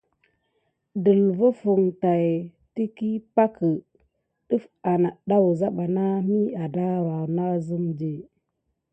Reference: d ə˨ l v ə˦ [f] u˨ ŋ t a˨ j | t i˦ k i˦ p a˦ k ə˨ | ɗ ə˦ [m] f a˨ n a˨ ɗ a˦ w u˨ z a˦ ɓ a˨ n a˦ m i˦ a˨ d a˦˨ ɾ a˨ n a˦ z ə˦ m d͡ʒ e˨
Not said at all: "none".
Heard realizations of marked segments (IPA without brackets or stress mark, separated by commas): f, none